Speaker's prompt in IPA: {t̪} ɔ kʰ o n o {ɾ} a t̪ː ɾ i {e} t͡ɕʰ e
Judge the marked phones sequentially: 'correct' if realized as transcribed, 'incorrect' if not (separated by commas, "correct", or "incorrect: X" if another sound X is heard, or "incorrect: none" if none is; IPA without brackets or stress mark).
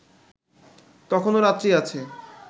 correct, correct, incorrect: a